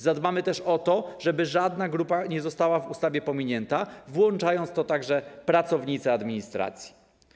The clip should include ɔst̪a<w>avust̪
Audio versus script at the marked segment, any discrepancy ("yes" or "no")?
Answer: no